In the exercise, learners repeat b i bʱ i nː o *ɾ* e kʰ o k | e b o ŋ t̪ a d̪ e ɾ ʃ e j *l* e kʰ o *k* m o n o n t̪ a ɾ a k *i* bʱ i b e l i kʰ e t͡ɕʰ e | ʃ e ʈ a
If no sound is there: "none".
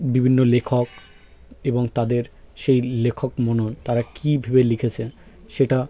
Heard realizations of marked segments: l, l, k, i

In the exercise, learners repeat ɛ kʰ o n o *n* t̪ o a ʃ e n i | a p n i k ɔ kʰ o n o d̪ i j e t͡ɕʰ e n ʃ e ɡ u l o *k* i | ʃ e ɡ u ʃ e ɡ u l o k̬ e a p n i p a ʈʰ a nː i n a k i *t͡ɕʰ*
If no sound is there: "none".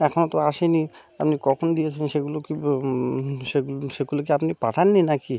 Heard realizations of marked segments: none, k, none

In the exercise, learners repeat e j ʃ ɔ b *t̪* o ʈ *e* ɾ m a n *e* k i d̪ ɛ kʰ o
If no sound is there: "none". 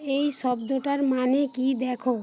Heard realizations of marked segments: d̪, a, e

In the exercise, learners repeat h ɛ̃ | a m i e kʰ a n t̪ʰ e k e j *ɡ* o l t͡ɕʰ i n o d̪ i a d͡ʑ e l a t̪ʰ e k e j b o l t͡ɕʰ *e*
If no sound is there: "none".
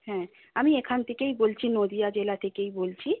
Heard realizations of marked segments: b, i

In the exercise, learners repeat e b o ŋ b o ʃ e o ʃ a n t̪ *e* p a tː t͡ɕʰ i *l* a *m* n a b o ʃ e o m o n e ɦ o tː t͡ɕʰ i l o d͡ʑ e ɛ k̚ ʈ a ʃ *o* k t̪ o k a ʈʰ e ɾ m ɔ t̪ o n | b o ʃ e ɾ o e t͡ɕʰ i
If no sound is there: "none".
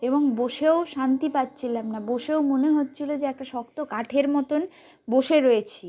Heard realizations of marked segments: i, l, m, ɔ

